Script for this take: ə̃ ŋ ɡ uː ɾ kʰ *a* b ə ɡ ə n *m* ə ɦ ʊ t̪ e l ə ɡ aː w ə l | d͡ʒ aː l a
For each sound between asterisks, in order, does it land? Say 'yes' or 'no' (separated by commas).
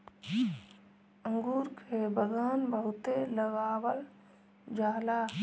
no, no